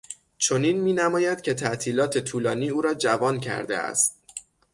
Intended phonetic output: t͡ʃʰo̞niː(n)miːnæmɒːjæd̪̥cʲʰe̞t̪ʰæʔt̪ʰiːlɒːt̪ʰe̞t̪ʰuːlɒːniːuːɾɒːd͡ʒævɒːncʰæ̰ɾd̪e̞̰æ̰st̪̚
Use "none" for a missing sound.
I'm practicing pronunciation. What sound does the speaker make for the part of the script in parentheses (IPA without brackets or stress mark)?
n